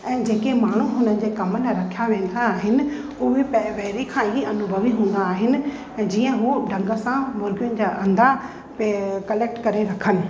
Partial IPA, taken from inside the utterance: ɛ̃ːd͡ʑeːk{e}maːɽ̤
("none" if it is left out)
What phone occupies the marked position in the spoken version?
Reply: e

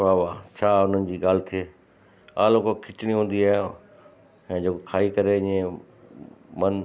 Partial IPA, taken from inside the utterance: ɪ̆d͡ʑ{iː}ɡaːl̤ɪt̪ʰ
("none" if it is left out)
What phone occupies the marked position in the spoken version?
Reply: iː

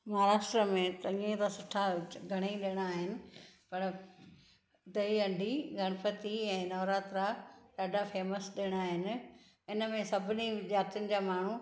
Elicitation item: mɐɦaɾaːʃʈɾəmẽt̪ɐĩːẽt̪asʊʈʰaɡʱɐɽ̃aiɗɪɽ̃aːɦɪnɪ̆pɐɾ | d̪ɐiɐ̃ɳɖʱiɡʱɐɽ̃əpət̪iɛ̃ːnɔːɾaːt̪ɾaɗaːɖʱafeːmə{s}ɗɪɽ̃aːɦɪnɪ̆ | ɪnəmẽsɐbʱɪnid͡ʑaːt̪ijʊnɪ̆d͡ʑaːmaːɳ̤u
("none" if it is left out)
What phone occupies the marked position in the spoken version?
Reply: s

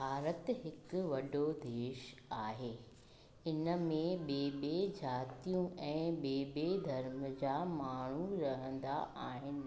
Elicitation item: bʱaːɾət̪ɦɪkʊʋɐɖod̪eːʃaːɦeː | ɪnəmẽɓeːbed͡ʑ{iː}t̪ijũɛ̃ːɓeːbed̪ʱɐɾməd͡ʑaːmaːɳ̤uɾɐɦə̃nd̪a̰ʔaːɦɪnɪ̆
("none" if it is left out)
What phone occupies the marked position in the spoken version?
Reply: aː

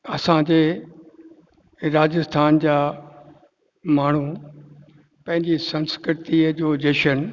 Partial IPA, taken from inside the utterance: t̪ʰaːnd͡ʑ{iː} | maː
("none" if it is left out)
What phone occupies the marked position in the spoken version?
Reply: aː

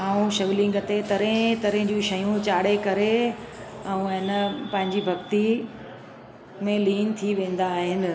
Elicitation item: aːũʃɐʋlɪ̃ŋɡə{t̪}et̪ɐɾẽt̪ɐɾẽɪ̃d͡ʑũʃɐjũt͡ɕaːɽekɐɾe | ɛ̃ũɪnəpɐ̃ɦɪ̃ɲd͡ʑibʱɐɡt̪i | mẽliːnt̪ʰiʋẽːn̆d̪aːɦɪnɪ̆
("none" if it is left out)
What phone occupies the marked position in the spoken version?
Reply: t̪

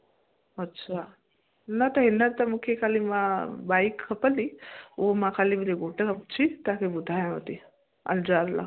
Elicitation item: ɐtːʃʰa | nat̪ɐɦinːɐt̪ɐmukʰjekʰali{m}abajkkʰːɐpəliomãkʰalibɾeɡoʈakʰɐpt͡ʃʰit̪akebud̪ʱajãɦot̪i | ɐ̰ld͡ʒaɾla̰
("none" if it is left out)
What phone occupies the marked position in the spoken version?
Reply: m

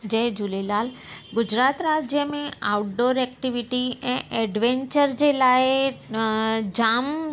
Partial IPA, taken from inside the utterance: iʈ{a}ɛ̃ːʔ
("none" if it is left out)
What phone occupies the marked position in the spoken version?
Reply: i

